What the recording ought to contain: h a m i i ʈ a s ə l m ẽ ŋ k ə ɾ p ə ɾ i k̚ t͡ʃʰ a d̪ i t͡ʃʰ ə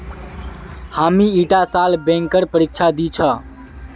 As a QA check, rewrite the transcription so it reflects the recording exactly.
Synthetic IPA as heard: h a m i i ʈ a s a l b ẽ ŋ k ə ɾ p ə ɾ i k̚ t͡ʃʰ a d̪ i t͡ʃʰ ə